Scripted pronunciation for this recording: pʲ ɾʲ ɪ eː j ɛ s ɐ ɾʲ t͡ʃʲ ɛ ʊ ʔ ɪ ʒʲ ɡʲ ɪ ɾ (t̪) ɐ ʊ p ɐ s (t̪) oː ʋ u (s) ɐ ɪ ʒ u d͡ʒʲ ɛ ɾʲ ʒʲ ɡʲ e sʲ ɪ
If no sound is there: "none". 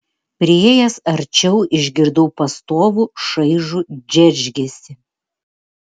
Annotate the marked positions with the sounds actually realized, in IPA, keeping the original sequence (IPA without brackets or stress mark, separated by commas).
d̪, t̪, ʃ